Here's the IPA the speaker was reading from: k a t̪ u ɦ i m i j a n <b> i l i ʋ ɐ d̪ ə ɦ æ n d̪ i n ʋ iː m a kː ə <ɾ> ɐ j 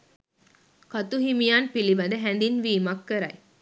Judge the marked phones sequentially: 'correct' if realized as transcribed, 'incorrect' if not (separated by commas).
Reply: incorrect, correct